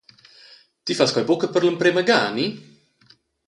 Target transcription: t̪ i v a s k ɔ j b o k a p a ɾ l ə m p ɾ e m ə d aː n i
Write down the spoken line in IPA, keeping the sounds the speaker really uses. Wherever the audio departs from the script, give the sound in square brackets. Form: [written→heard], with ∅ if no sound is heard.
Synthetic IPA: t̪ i [v→f] a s k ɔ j b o k [a→ə] p [a→ə] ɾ l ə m p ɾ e m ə [d→ɡ] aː n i